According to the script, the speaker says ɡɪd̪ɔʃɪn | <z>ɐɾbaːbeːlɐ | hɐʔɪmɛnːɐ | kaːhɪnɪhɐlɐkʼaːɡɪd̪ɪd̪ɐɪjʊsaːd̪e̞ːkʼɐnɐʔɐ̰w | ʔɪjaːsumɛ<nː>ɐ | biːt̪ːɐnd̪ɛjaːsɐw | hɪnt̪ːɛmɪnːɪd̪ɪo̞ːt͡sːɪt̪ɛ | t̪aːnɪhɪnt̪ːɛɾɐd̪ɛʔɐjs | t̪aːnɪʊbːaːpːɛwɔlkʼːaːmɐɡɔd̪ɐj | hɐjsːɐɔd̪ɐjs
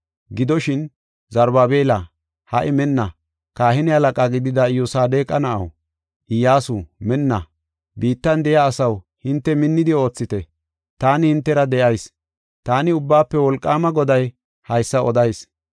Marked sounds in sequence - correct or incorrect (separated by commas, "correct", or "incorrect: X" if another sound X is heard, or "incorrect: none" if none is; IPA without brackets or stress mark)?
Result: correct, correct